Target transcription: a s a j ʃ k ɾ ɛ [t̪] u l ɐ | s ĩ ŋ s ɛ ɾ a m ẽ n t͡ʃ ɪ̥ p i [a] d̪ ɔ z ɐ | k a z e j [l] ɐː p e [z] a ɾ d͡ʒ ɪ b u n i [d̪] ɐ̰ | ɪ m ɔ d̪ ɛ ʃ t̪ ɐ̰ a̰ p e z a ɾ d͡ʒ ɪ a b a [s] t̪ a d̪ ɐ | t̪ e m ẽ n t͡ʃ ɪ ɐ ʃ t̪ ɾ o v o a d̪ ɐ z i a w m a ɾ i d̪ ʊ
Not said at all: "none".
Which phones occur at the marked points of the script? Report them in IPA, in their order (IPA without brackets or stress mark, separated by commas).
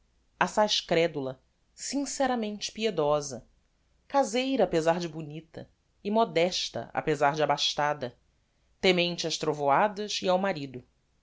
d̪, e, ɾ, z, t̪, ʃ